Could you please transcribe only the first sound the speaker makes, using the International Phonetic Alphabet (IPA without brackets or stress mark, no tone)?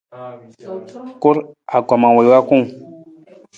k